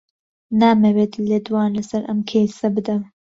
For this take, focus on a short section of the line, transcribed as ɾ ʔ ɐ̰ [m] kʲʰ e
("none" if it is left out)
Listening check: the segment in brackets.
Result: m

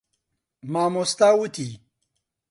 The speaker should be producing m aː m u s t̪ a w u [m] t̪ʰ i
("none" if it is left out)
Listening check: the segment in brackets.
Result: none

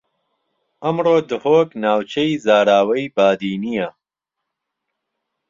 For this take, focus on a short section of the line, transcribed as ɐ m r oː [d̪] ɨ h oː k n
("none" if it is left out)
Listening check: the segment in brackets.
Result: d̪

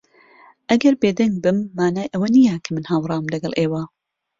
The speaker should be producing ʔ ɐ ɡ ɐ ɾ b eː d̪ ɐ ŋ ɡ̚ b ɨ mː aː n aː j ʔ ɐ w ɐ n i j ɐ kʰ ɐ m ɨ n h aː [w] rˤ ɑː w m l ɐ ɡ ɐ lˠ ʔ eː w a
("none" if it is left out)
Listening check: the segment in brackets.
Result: w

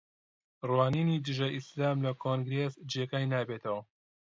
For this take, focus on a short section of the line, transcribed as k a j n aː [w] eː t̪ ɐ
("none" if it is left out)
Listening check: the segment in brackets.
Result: b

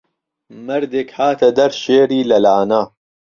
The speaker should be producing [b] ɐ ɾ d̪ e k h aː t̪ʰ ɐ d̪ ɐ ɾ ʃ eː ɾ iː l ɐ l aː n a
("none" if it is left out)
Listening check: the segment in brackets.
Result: m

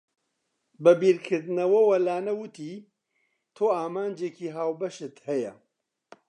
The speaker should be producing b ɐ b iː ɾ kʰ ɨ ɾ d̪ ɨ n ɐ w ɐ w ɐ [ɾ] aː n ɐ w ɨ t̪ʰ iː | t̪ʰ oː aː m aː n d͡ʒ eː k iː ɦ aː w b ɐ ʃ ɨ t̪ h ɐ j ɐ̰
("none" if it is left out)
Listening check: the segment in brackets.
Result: l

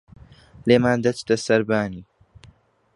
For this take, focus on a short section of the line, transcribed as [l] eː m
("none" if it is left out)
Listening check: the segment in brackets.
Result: l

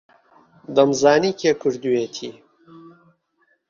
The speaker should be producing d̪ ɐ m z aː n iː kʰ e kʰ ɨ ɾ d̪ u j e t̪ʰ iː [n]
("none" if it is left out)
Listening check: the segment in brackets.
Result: none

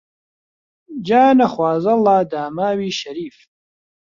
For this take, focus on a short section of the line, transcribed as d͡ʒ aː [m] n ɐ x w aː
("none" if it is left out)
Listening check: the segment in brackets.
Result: none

